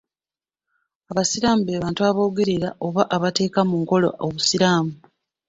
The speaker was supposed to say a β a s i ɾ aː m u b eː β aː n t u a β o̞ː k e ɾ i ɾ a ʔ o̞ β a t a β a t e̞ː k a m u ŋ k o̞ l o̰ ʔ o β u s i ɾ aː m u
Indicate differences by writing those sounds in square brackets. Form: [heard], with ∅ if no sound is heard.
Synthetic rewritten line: a β a s i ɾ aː m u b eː β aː n t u a β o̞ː [ɡ] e ɾ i ɾ a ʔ o̞ β a [ʔ] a β a t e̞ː k a m u ŋ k o̞ l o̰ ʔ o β u s i ɾ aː m u